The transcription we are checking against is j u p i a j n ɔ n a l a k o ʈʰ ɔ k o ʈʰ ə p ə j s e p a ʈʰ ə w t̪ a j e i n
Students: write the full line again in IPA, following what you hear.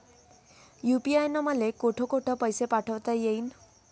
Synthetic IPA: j u p i a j n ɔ m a l e k o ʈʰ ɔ k o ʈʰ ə p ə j s e p a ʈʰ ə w t̪ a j e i n